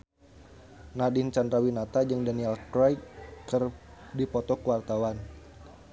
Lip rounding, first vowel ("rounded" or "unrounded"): unrounded